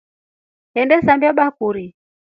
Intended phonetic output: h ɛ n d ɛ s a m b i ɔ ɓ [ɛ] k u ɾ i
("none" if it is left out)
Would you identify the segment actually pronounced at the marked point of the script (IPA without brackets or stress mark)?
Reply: a